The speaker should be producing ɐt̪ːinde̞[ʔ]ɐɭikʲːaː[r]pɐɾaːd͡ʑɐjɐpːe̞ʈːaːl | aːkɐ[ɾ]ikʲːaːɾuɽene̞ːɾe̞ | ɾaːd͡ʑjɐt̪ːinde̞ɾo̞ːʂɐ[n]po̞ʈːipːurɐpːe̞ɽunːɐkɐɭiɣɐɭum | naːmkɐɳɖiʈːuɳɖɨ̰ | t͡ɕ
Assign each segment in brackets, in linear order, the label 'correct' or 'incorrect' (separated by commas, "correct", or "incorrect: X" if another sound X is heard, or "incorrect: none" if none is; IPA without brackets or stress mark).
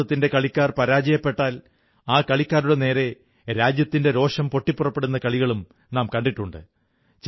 incorrect: k, correct, incorrect: ɭ, incorrect: m